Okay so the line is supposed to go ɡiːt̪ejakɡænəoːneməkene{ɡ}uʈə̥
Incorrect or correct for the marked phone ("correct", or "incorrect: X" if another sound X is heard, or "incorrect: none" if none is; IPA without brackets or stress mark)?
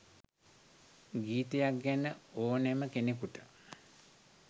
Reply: incorrect: k